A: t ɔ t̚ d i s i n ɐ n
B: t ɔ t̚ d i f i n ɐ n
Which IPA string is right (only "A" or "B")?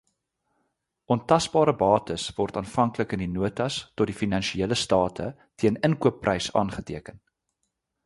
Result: B